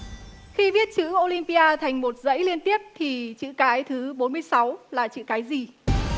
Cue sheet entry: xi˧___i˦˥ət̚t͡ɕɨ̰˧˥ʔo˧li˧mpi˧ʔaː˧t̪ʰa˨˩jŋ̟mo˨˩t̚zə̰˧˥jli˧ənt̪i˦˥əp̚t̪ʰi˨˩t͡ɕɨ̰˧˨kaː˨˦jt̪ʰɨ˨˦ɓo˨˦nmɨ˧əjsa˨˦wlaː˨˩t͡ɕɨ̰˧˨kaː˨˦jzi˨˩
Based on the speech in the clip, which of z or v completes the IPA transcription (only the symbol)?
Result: v